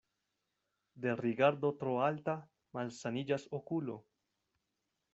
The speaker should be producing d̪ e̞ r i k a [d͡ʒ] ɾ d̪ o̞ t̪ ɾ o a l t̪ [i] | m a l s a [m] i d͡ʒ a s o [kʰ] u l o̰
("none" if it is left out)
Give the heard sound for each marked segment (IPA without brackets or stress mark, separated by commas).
none, a, n, k